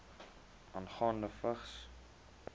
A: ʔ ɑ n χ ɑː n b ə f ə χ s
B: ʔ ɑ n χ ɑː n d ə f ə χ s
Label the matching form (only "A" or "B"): B